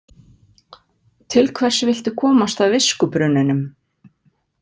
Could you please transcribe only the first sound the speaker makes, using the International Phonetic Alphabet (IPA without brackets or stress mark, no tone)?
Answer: t̪ʰ